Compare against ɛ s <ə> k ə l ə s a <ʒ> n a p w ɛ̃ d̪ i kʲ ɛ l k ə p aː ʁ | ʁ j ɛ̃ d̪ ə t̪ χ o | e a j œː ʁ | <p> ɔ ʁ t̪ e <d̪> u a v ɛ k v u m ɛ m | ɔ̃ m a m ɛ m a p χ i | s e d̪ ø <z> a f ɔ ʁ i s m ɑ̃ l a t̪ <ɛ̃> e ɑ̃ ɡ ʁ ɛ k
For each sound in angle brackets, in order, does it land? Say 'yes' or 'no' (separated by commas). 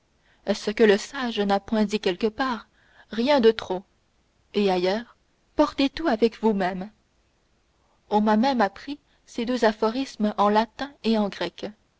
yes, yes, yes, no, yes, yes